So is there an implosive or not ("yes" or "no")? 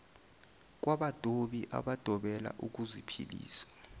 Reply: yes